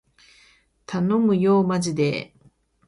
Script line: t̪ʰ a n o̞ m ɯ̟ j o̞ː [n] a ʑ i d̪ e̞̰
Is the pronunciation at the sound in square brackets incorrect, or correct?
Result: incorrect